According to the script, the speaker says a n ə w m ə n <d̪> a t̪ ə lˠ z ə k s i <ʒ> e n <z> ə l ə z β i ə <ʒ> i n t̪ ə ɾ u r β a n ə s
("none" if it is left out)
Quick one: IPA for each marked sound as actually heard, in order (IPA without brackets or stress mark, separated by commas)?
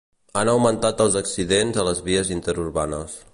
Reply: t̪, ð, z, z